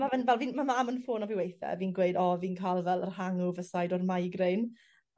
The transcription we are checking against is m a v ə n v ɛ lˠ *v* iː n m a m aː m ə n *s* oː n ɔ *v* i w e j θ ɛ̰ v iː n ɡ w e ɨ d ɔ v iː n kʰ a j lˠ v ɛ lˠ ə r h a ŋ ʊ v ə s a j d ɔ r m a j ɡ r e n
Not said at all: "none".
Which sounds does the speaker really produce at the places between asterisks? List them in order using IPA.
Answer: v, f, v

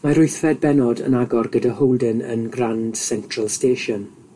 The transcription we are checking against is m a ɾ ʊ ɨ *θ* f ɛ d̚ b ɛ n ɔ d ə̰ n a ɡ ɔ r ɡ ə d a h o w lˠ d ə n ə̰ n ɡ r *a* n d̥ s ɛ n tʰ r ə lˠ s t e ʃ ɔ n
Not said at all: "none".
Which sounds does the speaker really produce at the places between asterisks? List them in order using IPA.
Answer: θ, a

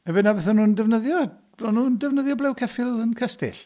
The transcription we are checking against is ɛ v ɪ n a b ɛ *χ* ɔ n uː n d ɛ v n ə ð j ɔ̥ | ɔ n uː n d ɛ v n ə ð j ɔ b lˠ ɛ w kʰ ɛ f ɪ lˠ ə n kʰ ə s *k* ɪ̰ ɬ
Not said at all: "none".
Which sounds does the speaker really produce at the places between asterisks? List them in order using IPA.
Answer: θ, t

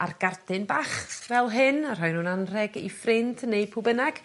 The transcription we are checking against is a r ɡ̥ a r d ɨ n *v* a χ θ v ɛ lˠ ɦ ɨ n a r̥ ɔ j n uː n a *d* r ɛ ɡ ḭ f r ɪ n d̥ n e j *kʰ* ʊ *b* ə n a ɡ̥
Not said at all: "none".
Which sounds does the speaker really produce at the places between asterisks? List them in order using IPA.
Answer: b, n, pʰ, b

